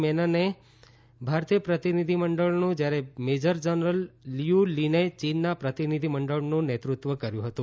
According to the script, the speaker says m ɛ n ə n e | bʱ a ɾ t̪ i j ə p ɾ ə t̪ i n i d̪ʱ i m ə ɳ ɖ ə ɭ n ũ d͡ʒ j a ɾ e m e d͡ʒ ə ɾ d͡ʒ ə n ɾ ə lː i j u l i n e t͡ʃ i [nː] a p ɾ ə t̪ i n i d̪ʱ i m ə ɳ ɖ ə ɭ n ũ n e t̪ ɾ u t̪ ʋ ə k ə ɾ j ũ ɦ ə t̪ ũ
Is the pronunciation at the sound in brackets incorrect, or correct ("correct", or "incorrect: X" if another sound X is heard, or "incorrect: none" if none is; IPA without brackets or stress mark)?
correct